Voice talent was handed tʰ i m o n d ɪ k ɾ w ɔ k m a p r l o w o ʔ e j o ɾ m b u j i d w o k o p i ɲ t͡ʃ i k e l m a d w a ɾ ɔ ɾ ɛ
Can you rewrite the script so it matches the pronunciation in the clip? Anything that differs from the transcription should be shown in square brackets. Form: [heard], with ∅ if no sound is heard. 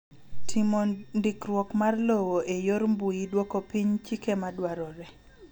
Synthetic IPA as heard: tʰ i m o n d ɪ k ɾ w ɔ k m a [∅] r l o w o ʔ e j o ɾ m b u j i d w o k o p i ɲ t͡ʃ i k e [∅] m a d w a ɾ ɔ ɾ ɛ